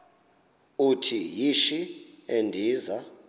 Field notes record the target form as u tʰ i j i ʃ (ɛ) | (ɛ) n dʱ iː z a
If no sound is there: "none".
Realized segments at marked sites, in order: i, e

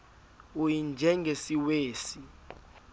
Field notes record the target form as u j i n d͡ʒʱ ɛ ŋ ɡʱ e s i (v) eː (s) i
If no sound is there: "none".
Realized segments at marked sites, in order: w, s

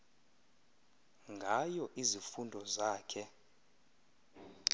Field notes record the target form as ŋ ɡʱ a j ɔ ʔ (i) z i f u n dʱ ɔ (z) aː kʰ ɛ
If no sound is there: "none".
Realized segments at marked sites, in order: i, z

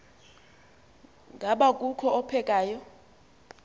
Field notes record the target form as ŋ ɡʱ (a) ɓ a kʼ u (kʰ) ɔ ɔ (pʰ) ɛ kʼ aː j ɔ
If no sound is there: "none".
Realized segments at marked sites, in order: a, kʰ, pʰ

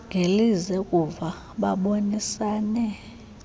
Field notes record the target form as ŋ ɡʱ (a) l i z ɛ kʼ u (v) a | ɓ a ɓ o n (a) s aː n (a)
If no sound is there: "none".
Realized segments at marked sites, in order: e, v, i, ɛ

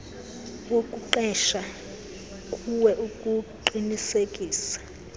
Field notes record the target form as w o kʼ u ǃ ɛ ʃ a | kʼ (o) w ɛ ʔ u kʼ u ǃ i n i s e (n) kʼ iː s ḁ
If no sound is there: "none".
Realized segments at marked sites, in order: u, none

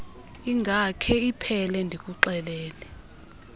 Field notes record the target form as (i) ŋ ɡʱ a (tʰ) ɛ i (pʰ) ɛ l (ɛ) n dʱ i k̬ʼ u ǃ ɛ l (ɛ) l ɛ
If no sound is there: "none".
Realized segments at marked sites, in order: i, kʰ, pʰ, ɛ, ɛː

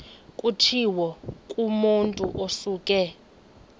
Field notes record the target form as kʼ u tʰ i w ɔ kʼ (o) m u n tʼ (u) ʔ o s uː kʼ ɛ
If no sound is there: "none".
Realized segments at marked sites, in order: u, u

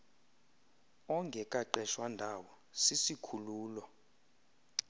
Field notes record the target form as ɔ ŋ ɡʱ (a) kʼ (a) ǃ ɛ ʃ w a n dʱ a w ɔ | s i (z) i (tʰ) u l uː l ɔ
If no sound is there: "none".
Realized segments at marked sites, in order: ɛ, a, s, kʰ

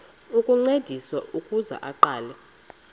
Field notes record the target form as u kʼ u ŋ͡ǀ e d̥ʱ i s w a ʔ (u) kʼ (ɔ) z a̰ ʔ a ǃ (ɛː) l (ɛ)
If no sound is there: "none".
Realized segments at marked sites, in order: u, u, aː, ɛ

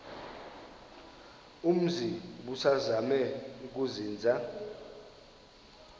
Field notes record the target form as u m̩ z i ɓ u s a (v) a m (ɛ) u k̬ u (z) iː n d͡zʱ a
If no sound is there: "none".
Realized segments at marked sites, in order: z, ɛ, z

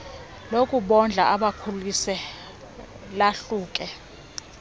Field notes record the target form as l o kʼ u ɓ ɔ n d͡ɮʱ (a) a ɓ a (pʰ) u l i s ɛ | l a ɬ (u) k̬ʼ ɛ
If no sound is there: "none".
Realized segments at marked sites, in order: a, kʰ, uː

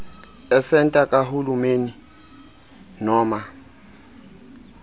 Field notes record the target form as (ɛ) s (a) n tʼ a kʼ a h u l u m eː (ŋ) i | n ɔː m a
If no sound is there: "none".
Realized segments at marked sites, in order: ɛ, ɛ, n

